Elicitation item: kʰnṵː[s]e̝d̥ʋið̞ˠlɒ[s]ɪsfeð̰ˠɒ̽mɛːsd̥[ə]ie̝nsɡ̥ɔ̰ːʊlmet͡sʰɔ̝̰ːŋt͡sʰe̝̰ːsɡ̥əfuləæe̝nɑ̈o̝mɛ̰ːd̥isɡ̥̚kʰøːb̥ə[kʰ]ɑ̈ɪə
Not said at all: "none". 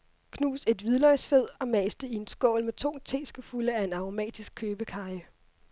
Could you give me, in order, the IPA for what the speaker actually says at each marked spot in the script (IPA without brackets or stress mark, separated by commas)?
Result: s, none, ə, kʰ